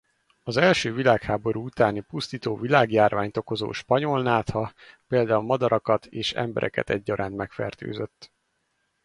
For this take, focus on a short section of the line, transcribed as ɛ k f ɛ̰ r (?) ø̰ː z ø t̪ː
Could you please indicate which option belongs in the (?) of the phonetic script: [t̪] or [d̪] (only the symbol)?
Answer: t̪